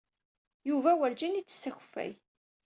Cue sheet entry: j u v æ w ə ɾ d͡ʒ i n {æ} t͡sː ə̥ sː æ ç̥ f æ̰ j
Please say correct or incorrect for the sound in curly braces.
incorrect